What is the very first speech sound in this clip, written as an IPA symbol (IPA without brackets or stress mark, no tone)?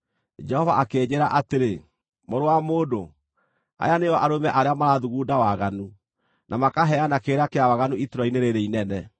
d͡ʒ